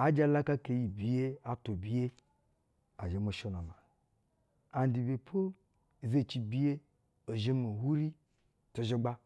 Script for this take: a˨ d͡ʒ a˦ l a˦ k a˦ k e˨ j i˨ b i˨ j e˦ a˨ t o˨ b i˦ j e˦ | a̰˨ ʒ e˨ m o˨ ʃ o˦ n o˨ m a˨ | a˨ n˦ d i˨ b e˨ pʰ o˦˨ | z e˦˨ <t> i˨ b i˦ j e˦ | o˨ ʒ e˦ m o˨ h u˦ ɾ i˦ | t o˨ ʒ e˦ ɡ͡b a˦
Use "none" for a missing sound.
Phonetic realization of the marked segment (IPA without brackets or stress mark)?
t͡ʃ